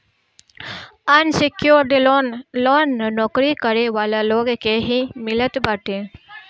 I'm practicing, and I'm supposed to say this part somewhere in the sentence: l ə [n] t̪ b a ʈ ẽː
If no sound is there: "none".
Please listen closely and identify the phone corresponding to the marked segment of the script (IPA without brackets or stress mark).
none